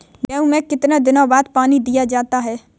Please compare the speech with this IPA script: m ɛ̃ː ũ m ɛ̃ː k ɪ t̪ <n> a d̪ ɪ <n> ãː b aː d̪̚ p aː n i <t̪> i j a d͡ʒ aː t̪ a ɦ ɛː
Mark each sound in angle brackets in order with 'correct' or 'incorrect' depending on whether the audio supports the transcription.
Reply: correct, correct, incorrect: d̪

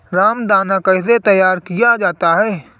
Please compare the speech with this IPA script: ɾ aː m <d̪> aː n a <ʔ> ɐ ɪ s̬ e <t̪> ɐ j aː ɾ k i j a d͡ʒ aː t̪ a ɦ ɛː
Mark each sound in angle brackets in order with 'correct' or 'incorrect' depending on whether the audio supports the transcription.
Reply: correct, incorrect: k, correct

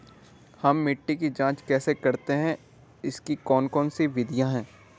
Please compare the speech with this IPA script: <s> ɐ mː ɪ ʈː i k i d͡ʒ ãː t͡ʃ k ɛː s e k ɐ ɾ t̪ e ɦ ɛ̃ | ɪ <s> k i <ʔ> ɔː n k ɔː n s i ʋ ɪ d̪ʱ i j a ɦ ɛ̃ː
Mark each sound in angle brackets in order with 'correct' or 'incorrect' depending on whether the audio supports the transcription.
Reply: incorrect: h, correct, incorrect: k

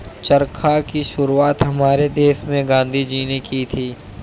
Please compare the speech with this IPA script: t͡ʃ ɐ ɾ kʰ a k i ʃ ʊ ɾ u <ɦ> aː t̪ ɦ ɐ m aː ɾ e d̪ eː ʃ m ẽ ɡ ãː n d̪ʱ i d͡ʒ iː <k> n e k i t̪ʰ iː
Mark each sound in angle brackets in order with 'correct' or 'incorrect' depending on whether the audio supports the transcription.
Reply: incorrect: none, incorrect: none

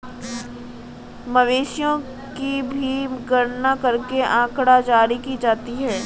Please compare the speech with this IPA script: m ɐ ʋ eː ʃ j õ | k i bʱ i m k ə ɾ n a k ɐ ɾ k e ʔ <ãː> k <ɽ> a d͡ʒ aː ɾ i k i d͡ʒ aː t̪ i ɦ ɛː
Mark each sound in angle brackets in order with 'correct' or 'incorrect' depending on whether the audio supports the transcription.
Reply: correct, correct

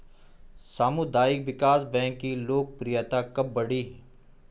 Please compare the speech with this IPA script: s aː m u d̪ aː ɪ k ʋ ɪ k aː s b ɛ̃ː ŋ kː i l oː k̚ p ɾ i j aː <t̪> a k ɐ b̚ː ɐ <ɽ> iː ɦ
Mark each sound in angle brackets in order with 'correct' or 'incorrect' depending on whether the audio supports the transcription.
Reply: correct, correct

